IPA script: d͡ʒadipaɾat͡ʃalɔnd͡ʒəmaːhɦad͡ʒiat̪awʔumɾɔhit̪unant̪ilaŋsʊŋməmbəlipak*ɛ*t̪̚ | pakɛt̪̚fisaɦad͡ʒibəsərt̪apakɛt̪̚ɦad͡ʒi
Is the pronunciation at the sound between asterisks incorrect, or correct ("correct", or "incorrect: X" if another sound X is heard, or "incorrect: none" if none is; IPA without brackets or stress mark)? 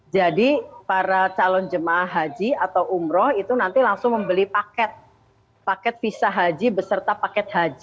correct